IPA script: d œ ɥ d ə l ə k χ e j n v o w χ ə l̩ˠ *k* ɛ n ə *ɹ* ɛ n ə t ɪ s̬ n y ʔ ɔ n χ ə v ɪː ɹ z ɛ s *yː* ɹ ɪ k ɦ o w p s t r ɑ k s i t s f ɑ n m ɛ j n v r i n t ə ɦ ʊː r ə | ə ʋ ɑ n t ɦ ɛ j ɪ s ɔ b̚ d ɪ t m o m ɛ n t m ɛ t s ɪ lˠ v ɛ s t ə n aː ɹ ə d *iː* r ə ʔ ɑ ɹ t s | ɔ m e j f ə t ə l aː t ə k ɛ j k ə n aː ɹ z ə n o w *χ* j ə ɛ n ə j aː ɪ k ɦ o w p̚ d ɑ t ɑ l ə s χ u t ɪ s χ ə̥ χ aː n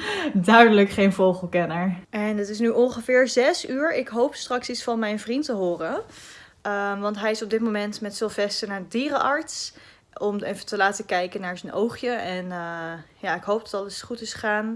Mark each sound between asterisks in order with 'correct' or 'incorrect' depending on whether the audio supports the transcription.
correct, correct, correct, correct, correct

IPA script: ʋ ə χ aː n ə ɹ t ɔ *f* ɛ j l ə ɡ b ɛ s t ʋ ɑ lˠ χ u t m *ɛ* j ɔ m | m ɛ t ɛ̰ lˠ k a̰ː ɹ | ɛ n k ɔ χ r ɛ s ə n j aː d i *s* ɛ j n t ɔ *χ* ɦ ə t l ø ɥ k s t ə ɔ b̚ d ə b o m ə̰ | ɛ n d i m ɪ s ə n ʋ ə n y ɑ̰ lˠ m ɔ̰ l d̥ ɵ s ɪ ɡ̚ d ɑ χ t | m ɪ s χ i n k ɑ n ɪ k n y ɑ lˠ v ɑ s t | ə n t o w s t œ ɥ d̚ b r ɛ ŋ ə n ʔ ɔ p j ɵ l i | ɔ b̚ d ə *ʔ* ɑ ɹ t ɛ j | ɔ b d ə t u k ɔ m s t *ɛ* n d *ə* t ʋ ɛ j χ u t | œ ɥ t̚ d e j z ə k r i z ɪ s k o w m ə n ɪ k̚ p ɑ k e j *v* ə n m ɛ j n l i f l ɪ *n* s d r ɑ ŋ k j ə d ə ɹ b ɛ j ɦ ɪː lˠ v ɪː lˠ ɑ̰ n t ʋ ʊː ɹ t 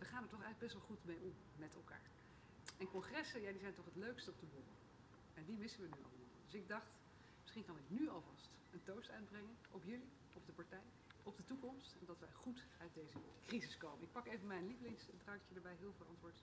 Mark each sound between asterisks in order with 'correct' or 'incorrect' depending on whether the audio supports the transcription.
incorrect: χ, incorrect: e, incorrect: z, correct, incorrect: p, correct, incorrect: ɑ, correct, incorrect: ŋ

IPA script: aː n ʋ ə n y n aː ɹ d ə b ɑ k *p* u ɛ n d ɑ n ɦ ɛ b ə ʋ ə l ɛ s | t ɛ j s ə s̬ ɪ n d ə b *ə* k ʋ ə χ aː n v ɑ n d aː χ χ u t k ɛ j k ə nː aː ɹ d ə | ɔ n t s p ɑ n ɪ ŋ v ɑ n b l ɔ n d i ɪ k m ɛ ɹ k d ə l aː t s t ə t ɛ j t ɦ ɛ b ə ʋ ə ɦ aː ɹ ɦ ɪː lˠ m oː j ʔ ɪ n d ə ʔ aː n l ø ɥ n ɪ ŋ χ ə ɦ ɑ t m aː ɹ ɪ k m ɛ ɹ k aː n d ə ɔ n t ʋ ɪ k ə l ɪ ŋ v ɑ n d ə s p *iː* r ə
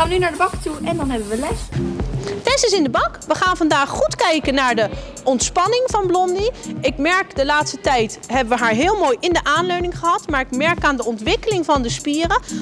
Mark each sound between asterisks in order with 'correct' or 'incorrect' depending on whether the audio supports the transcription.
incorrect: t, incorrect: ɑ, correct

